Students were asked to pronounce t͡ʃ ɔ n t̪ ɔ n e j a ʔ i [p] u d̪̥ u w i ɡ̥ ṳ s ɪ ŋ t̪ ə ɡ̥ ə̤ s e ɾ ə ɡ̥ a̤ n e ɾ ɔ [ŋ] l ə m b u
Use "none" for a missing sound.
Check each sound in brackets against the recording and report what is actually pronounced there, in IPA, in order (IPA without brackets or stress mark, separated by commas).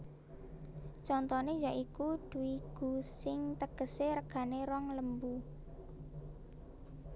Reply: k, ŋ